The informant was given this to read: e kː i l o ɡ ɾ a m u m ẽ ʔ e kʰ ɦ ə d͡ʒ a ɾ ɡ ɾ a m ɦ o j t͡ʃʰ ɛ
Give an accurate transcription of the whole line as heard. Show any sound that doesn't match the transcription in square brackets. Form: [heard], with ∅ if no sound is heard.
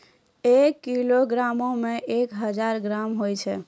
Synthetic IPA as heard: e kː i l o ɡ ɾ a m [o] m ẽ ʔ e [k] ɦ ə d͡ʒ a ɾ ɡ ɾ a m ɦ o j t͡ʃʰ ɛ